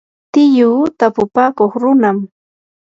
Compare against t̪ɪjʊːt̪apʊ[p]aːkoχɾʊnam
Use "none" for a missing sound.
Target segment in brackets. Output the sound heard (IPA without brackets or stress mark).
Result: p